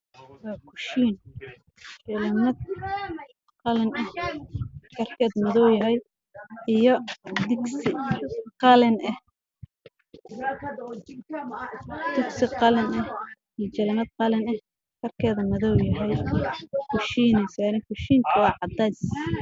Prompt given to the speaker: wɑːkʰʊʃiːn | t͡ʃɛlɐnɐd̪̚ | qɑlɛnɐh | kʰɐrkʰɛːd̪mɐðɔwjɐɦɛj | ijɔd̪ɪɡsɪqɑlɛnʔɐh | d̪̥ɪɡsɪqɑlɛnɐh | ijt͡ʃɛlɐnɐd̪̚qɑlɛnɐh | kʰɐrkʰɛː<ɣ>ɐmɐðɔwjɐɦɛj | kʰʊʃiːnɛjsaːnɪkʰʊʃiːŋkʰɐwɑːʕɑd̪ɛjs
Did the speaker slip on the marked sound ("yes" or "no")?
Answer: yes